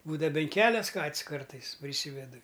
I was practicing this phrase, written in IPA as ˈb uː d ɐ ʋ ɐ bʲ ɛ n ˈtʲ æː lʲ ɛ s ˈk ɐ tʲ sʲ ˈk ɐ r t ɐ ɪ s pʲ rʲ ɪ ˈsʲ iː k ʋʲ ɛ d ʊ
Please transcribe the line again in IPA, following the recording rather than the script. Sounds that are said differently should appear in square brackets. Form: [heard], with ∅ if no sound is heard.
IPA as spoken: ˈb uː d ɐ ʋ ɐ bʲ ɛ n [ˈkʲ] æː lʲ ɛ s ˈk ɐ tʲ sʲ ˈk ɐ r t ɐ ɪ s pʲ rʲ ɪ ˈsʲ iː [∅] ʋʲ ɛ d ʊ